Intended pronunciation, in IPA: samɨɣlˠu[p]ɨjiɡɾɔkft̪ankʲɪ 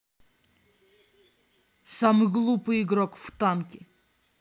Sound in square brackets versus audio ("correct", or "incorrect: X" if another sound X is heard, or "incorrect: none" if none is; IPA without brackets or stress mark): correct